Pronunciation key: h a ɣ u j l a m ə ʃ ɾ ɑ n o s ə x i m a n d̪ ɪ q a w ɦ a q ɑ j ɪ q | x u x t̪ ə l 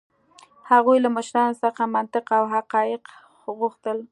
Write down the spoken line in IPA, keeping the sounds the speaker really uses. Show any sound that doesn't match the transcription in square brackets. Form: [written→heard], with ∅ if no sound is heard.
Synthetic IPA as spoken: h a ɣ u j l a m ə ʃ ɾ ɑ n o s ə x [i→a] m a n [d̪→t̪] ɪ q a w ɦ a q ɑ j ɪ q | [x→ɣ] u x t̪ ə l